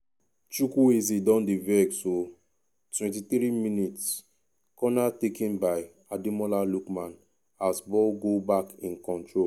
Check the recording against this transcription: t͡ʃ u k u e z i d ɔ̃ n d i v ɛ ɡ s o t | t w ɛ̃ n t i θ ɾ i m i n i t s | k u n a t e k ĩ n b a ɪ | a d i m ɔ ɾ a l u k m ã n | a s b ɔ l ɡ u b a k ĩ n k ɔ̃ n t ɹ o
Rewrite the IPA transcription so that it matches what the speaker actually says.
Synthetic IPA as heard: t͡ʃ u k u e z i d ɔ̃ n d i v ɛ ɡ s o | t w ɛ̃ n t i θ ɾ i m i n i t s | k ɔ n a t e k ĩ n b a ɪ | a d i m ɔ l a l u k m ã n | a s b ɔ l ɡ o b a k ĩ n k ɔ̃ n t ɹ o